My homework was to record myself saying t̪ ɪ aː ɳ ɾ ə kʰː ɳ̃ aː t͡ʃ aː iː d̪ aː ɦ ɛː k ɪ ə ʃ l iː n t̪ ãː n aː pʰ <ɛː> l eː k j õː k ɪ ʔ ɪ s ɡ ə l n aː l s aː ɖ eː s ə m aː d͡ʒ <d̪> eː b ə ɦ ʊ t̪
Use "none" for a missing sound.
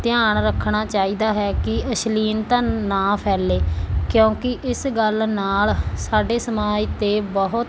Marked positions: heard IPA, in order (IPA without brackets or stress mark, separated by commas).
ɛː, t̪